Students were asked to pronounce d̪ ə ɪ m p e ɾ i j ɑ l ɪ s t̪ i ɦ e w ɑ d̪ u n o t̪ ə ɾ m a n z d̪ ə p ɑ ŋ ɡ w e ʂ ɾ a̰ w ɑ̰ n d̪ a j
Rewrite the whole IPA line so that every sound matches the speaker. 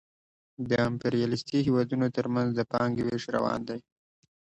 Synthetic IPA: d̪ ə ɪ m p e ɾ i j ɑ l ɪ s t̪ i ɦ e w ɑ d̪ u n o t̪ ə ɾ m a n z d̪ ə p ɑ ŋ ɡ w e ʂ ɾ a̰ w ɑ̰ n d̪ a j